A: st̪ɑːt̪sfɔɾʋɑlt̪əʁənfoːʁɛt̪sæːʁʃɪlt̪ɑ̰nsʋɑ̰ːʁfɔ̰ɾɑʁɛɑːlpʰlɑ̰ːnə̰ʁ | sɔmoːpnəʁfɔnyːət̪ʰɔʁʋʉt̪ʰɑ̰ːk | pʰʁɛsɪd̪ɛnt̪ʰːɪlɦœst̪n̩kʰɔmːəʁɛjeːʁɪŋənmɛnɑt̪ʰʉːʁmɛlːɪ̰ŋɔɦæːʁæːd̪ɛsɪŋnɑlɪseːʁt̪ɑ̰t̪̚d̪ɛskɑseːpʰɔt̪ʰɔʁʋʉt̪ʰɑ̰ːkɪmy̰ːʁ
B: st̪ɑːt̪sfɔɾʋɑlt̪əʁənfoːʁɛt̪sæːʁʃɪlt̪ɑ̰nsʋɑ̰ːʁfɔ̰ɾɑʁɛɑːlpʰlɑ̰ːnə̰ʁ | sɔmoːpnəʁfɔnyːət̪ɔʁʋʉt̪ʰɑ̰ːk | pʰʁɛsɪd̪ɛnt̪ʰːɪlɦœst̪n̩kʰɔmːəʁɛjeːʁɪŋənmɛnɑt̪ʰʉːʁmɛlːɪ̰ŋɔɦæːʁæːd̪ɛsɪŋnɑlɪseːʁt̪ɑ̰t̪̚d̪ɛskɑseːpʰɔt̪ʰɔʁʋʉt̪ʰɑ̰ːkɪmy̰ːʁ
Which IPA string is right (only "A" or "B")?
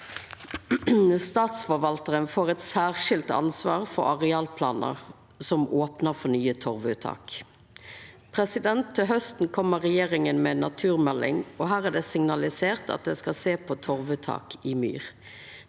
A